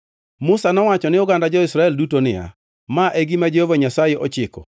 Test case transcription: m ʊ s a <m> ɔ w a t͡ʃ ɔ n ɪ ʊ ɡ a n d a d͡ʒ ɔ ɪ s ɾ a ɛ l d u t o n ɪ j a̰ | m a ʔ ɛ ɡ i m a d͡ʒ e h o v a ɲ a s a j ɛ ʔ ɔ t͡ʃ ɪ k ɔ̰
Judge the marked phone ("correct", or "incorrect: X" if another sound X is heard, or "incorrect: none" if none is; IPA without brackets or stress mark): incorrect: n